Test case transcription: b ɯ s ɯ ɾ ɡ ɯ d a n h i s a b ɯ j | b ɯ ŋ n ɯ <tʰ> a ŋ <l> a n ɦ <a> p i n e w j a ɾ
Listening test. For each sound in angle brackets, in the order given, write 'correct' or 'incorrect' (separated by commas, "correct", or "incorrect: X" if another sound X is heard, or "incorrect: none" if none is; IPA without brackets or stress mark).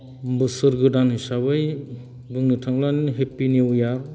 correct, correct, incorrect: e